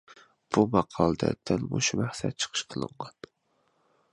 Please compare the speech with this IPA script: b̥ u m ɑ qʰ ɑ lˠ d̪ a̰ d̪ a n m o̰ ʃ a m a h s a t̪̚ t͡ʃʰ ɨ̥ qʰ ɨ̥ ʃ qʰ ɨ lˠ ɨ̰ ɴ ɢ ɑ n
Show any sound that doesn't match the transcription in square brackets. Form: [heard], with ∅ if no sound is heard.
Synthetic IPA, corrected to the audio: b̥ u m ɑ qʰ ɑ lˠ d̪ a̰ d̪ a n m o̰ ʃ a m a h s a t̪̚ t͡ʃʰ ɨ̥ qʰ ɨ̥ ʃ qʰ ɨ lˠ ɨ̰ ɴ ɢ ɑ n

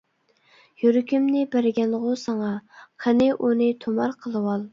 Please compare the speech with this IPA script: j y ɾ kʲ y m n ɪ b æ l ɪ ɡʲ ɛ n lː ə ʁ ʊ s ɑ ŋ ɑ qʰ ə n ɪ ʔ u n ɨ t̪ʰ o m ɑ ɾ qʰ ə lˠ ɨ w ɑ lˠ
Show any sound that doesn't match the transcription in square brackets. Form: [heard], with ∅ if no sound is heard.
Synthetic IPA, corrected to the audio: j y ɾ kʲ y m n ɪ b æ [ɾ] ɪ ɡʲ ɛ n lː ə ʁ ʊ s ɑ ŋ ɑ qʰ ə n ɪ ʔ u n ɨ t̪ʰ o m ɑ ɾ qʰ ə lˠ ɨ w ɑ lˠ

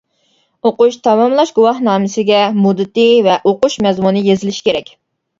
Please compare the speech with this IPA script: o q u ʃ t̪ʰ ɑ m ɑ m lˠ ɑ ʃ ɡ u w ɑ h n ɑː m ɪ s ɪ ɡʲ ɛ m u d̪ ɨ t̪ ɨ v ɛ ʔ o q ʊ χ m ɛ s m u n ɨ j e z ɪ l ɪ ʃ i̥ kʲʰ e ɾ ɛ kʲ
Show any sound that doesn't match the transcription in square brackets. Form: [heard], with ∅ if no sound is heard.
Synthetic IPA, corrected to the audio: o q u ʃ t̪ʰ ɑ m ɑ m lˠ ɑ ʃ ɡ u w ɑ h n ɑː m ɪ s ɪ ɡʲ ɛ m u d̪ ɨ t̪ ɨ v ɛ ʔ o q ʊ [ʃ] m ɛ [z] m u n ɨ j e z ɪ l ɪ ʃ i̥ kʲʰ e ɾ ɛ kʲ

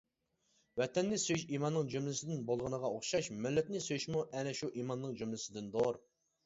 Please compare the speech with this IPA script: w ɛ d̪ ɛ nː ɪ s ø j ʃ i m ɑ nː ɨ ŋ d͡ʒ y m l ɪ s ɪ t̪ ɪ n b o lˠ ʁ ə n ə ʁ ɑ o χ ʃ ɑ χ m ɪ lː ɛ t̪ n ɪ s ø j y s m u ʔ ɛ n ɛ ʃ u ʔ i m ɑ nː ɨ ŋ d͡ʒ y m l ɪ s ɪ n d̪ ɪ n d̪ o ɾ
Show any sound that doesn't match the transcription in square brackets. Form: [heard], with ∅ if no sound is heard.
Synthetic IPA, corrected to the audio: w ɛ [t̪] ɛ nː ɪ s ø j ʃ i m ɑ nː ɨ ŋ d͡ʒ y m l ɪ s ɪ [d̪] ɪ n b o lˠ ʁ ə n ə ʁ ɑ o χ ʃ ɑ [ʃ] m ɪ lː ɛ t̪ n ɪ s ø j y [ʃ] m u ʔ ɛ n ɛ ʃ u ʔ i m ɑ nː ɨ ŋ d͡ʒ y m l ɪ s ɪ [∅] d̪ ɪ n d̪ o ɾ

